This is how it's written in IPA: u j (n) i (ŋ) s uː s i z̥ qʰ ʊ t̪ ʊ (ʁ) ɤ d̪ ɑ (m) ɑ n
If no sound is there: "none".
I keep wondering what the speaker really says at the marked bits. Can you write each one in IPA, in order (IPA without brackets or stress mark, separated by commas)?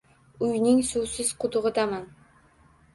n, ŋ, ʁ, m